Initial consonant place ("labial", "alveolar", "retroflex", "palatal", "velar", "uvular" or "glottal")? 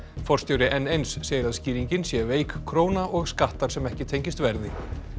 labial